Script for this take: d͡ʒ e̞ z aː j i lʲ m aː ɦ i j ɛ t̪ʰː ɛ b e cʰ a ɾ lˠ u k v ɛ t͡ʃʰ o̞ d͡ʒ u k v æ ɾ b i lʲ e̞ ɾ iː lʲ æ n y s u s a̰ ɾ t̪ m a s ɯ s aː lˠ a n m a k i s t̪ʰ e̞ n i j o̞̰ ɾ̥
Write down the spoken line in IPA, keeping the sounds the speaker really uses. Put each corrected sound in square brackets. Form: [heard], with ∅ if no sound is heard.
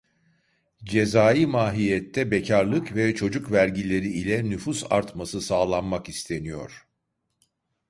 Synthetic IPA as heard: d͡ʒ e̞ z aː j i [∅] m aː ɦ i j ɛ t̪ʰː ɛ b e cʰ a ɾ lˠ [ɯ] k v ɛ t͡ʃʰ o̞ d͡ʒ u k v æ ɾ [ɟ] i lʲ e̞ ɾ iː lʲ [ɛ] n y [f] u s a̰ ɾ t̪ m a s ɯ s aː lˠ a n m a k i s t̪ʰ e̞ n i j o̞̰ ɾ̥